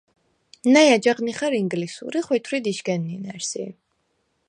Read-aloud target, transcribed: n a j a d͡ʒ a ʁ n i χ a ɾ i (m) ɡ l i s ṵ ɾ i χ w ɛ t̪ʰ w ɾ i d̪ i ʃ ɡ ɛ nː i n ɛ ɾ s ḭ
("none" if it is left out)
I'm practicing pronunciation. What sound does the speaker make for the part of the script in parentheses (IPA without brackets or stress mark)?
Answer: ŋ